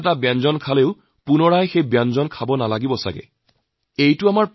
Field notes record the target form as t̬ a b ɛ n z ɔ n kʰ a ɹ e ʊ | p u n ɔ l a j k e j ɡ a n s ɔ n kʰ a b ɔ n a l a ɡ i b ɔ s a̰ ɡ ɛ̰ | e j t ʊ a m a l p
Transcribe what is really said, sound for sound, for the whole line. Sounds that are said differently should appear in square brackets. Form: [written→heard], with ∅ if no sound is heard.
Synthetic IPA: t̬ a b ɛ n z ɔ n kʰ a [ɹ→l] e ʊ | p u n ɔ [l→ɹ] a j [k→x] e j [ɡ→b] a n [s→z] ɔ n kʰ a b ɔ n a l a ɡ i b ɔ s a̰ ɡ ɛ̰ | e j t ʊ a m a [l→ɹ] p

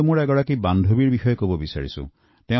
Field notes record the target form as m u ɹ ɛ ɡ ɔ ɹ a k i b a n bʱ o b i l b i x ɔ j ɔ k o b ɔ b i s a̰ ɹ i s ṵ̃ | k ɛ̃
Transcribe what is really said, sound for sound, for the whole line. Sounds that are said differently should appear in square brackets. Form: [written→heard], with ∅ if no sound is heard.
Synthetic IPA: m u ɹ ɛ ɡ ɔ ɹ a k i b a n [bʱ→dʱ] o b i [l→ɹ] b i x ɔ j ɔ k o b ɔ b i s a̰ ɹ i s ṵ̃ | [k→t] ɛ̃

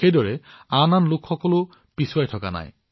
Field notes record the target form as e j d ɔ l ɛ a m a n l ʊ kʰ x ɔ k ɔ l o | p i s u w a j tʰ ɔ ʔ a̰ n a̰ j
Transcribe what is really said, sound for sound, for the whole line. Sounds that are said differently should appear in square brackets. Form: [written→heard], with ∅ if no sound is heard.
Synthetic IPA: e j d ɔ [l→ɹ] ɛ a [m→n] a n l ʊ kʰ x ɔ k ɔ l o | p i s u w a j tʰ ɔ [ʔ→k] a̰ n a̰ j

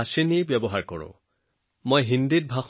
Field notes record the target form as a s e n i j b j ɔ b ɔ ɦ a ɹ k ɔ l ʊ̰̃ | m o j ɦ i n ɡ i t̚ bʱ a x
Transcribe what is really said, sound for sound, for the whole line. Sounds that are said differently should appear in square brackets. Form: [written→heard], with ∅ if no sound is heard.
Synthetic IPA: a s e n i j b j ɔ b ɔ ɦ a ɹ k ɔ [l→ɹ] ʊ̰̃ | m o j ɦ i n [ɡ→d] i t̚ bʱ a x

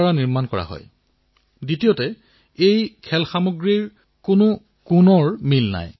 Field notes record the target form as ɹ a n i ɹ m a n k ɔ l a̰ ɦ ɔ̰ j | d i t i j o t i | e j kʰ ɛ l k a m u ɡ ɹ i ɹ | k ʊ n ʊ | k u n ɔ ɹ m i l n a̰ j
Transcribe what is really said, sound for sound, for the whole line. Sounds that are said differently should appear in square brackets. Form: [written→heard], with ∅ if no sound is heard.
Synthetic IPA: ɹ a n i ɹ m a n k ɔ [l→ɹ] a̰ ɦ ɔ̰ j | d i t i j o t [i→ɛ] | e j kʰ ɛ l [k→x] a m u ɡ ɹ i ɹ | k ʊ n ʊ | k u n ɔ ɹ m i l n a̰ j

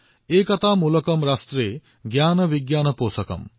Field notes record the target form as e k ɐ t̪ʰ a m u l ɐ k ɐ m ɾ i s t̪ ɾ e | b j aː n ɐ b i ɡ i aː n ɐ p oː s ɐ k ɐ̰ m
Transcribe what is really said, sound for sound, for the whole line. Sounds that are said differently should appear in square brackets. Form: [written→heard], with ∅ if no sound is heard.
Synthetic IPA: e k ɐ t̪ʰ a m u l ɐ k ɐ m ɾ [i→a] s t̪ ɾ e | [b→ɡ] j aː n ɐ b i ɡ [i→j] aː n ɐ p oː s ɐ k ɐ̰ m

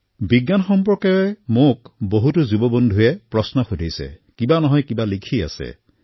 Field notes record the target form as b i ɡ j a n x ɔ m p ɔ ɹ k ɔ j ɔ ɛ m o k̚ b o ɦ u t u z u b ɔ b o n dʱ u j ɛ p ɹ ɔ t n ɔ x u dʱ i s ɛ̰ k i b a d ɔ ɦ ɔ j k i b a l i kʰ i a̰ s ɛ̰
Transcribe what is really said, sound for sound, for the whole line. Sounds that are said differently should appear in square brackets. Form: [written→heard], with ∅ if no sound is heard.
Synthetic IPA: b i ɡ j a n x ɔ m p ɔ ɹ k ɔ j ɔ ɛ m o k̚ b o ɦ u t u z u b ɔ b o n dʱ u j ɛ p ɹ ɔ [t→s] n ɔ x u dʱ i s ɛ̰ k i b a [d→n] ɔ ɦ ɔ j k i b a l i kʰ i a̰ s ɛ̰

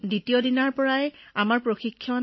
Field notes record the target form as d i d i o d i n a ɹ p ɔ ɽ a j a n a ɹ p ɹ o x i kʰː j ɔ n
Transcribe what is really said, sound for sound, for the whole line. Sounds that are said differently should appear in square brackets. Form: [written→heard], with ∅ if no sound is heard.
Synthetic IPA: d i [d→t] i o d i n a ɹ p ɔ [ɽ→ɹ] a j a [n→m] a ɹ p ɹ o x i kʰː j ɔ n

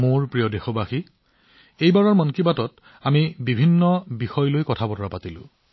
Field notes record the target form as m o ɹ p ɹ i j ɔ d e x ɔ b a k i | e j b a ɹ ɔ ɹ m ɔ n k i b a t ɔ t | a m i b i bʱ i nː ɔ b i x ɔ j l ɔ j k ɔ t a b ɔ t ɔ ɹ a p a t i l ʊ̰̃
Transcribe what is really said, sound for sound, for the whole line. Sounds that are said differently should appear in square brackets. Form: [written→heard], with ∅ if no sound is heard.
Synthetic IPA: m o ɹ p ɹ i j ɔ d e x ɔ b a [k→x] i | e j b a ɹ ɔ ɹ m ɔ n k i b a t ɔ t | a m i b i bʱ i nː ɔ b i x ɔ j l [ɔ→o] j k ɔ [t→tʰ] a b ɔ t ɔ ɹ a p a t i l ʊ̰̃

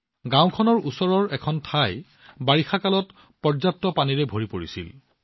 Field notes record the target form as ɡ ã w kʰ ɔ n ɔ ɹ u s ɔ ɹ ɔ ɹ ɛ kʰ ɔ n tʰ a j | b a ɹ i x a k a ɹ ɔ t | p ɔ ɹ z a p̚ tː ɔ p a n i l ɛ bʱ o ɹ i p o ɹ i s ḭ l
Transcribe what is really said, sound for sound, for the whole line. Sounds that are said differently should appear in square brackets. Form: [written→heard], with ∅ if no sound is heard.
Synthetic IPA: ɡ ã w kʰ ɔ n ɔ ɹ u s ɔ ɹ ɔ ɹ ɛ kʰ ɔ n tʰ a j | b a ɹ i x a k a [ɹ→l] ɔ t | p ɔ ɹ z a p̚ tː ɔ p a n i [l→ɹ] ɛ bʱ o ɹ i p o ɹ i s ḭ l

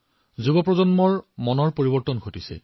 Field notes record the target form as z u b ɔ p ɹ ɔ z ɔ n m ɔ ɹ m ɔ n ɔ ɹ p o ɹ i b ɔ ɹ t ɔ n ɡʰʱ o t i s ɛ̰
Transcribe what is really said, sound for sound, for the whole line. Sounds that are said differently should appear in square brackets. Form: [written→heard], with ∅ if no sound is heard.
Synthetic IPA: z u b ɔ p ɹ ɔ z ɔ n m ɔ ɹ m ɔ n ɔ ɹ p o ɹ i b ɔ ɹ t ɔ n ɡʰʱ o t i s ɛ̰

